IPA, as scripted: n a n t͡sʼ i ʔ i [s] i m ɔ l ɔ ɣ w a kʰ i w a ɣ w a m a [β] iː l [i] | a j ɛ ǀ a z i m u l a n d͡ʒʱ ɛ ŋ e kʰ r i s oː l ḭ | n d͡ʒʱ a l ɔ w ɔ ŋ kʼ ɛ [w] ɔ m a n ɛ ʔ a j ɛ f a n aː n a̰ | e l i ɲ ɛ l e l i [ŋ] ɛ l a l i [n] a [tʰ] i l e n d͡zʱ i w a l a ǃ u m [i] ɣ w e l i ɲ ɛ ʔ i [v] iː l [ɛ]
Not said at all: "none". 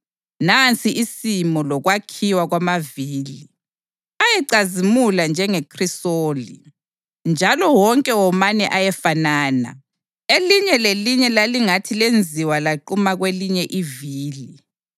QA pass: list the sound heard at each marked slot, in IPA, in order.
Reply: s, v, i, w, ɲ, ŋ, tʰ, a, v, i

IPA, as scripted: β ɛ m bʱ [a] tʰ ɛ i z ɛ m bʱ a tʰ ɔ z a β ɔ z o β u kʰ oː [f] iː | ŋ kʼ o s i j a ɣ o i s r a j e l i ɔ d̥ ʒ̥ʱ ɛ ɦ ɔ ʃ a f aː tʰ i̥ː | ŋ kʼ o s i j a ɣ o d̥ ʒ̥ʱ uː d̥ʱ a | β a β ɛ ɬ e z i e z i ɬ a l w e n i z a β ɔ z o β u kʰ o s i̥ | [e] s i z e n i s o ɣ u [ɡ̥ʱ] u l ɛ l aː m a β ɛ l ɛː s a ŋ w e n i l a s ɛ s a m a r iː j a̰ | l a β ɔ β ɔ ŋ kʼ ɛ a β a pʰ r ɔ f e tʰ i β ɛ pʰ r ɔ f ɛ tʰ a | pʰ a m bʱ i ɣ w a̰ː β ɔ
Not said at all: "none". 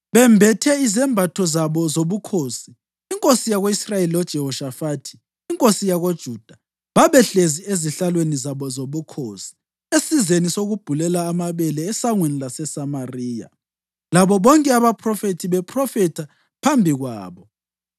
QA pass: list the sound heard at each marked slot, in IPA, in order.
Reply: ɛ, s, e, b̥ʱ

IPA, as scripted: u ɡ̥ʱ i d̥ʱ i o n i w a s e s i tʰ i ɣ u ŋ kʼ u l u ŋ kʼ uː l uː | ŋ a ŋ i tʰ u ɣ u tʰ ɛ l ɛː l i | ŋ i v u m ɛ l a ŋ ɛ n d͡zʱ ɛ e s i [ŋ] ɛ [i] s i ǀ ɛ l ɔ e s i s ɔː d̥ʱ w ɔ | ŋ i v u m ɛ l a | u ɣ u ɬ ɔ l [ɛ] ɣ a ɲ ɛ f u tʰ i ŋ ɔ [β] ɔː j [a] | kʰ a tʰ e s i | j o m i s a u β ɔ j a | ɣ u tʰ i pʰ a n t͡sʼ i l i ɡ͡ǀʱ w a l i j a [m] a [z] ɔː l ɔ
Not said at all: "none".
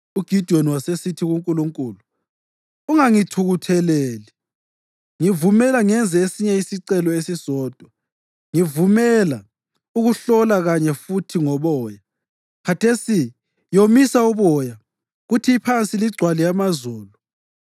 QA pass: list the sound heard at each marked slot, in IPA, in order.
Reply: ɲ, i, a, β, a, m, z

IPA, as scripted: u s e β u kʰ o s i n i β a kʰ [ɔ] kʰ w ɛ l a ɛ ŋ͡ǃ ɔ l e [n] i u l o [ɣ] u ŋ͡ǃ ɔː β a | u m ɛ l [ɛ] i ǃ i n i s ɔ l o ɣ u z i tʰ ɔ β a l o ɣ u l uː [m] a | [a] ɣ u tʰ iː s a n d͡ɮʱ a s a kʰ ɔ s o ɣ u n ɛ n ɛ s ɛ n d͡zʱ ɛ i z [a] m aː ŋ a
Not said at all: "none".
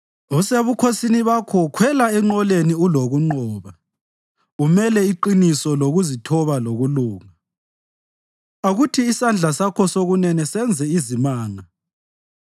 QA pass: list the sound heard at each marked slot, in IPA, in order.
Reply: ɔ, n, ɣ, ɛ, ŋ, a, i

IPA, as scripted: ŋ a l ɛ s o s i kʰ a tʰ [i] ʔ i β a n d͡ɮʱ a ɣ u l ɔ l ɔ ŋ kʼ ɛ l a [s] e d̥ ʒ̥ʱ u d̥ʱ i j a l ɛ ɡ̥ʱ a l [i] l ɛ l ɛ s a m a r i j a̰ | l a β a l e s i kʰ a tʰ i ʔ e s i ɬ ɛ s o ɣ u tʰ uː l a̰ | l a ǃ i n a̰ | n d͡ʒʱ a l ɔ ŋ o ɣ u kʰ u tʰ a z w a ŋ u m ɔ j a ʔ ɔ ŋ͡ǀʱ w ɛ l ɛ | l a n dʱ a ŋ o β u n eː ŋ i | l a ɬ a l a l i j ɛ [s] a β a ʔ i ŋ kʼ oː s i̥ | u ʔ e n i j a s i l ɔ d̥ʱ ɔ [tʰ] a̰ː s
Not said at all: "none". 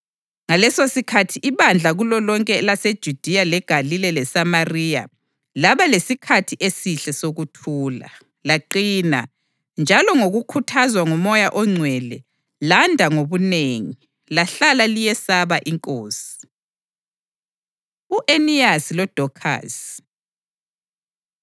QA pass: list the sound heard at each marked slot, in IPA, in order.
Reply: i, s, i, s, kʰ

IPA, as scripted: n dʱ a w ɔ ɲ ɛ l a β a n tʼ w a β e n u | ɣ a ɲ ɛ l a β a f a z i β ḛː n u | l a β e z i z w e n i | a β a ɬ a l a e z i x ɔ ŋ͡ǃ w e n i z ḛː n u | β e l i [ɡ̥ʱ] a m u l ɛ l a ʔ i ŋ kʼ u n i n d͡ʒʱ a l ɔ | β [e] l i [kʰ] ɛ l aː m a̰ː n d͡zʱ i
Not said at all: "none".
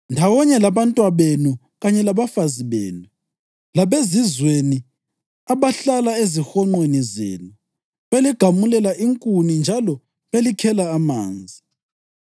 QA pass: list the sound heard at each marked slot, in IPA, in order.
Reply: ɡ̥ʱ, e, kʰ

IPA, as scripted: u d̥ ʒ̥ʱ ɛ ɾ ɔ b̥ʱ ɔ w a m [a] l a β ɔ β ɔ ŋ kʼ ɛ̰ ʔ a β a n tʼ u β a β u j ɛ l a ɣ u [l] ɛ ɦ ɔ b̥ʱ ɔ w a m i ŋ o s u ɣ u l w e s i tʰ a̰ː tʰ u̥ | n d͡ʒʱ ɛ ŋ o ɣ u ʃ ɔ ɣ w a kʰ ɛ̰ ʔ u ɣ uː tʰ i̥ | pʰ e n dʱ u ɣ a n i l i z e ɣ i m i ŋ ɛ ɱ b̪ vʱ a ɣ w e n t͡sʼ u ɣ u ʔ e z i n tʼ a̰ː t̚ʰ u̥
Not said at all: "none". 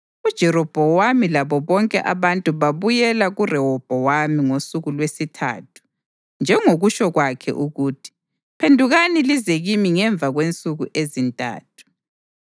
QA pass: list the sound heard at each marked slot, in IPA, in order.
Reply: i, r

